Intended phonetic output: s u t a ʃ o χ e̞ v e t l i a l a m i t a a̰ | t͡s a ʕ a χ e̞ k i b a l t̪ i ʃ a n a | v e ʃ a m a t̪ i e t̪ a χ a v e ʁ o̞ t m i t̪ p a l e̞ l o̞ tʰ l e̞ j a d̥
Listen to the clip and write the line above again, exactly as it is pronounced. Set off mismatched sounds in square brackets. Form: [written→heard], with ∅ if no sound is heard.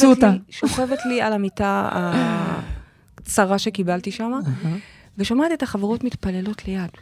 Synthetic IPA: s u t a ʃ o χ e̞ v e t l i a l a m i t a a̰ | t͡s a [ʕ→ʁ] a [χ→ʃ] e̞ k i b a l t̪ i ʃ a [n→m] a | v e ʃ a m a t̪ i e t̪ a χ a v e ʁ o̞ t m i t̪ p a l e̞ l o̞ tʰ l e̞ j a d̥